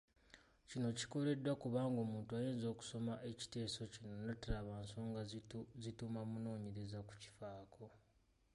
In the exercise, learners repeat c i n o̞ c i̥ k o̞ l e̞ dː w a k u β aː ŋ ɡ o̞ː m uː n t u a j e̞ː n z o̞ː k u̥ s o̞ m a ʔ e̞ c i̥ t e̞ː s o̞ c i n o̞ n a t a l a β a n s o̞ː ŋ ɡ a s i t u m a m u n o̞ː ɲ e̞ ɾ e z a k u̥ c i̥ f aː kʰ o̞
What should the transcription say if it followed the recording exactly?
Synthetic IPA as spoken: c i n o̞ c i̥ k o̞ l e̞ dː w a k u β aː ŋ ɡ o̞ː m uː n t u a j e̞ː n z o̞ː k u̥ s o̞ m a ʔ e̞ c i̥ t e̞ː s o̞ c i n o̞ n a t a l a β a n s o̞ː ŋ ɡ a z i t u m a m u n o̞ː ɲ e̞ ɾ e z a k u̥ c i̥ f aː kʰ o̞